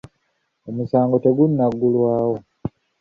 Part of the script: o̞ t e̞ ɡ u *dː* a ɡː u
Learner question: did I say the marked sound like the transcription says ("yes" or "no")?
no